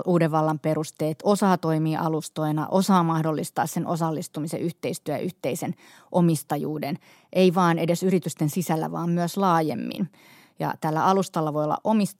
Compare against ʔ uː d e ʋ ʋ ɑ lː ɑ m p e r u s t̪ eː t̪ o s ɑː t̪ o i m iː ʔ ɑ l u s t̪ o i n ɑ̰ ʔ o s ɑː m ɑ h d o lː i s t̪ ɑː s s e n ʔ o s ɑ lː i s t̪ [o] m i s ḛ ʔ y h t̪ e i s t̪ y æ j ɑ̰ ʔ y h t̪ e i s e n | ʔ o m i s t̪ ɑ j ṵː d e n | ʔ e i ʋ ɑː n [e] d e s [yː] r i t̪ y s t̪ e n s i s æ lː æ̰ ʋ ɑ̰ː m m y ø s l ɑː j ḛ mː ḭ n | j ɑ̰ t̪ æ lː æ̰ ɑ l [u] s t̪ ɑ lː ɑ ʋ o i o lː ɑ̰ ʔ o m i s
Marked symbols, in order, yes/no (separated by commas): no, yes, no, yes